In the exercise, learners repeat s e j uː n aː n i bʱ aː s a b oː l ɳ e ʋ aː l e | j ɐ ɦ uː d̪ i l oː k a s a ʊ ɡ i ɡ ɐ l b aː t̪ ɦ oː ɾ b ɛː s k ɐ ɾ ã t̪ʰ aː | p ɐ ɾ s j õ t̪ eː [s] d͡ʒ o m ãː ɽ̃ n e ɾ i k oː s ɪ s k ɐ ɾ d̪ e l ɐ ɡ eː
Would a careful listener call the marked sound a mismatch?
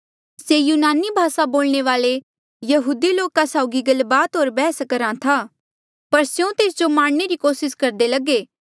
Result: no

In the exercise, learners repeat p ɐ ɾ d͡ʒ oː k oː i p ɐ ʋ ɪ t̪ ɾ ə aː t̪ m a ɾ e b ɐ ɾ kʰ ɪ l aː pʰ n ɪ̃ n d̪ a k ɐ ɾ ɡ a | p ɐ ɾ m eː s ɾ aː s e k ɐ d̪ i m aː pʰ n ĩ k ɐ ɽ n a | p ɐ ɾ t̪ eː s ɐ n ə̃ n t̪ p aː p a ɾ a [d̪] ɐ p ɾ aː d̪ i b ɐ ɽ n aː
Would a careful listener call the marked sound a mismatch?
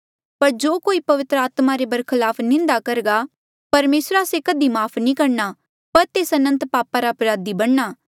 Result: yes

